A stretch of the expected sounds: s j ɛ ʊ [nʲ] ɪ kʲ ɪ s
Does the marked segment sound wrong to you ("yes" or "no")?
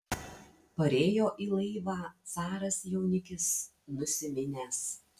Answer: no